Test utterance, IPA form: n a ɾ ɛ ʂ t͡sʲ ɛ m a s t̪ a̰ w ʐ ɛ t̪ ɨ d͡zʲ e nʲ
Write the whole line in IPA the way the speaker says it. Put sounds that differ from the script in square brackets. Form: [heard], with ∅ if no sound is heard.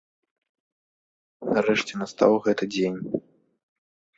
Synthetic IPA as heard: n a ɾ ɛ ʂ t͡sʲ ɛ [n] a s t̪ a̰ w [ɣ] ɛ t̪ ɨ d͡zʲ e nʲ